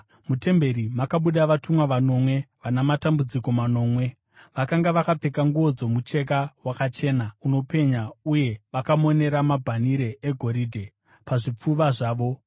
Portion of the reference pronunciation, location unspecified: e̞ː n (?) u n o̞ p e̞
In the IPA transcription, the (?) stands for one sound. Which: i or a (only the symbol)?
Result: a